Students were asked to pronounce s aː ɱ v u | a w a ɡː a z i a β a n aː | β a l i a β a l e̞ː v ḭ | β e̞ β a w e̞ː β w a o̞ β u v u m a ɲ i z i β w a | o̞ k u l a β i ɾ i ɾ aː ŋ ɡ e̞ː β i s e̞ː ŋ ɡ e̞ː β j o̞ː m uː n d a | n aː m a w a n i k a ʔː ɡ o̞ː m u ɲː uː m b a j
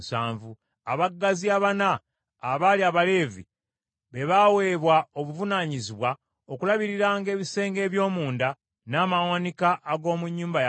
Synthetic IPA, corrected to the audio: s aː ɱ v u | a β a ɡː a z i a β a n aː | β a l i a β a l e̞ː v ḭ | β e̞ β a w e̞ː β w a o̞ β u v u n a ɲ i z i β w a | o̞ k u l a β i ɾ i ɾ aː ŋ ɡ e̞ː β i s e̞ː ŋ ɡ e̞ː β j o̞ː m uː n d a | n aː m a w a n i k a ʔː ɡ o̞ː m u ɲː uː m b a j